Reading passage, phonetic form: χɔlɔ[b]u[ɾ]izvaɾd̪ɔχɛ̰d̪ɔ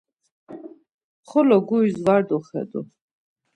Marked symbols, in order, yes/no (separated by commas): no, no